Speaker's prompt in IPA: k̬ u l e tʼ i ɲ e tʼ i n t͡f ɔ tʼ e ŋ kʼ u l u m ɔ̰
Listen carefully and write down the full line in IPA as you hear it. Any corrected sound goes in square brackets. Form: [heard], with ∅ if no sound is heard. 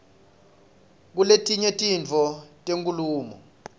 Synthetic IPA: k̬ u l e tʼ i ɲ e tʼ i n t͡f ɔ tʼ e ŋ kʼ u l [uː] m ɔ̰